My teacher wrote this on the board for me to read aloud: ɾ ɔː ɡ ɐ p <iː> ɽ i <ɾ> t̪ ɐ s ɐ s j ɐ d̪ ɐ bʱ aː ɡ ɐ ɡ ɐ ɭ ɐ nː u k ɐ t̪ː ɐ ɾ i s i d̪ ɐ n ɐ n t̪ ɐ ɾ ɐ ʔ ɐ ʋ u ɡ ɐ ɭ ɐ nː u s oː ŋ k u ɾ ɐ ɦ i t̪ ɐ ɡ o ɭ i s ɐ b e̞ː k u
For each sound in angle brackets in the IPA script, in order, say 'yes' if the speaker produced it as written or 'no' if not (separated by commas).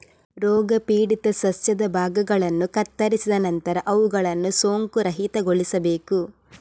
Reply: yes, no